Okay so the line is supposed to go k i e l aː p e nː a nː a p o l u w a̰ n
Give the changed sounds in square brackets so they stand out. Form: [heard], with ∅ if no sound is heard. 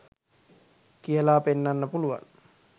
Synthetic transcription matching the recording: k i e l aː p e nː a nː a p [u] l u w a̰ n